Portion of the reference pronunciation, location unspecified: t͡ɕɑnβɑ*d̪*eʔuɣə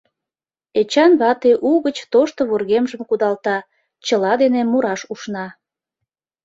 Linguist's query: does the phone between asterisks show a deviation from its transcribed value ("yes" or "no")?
yes